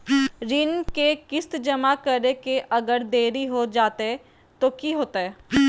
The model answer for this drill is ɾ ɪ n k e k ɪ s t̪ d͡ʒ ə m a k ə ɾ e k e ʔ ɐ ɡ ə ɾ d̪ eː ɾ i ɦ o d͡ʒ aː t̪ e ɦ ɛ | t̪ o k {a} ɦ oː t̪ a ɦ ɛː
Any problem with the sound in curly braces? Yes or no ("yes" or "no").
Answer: yes